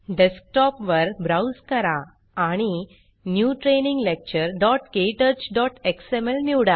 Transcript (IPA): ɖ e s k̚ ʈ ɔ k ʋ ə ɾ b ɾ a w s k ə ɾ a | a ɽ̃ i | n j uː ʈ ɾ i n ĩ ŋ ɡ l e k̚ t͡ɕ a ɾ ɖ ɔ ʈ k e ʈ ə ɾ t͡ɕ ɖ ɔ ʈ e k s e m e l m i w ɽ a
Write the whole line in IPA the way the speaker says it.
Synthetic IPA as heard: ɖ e s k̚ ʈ ɔ p ʋ ə ɾ b ɾ a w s k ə ɾ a | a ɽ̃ i | n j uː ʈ ɾ e n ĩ ŋ ɡ l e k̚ t͡ɕ ə ɾ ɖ ɔ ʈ k e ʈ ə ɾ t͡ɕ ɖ ɔ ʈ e k s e m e l m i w ɽ a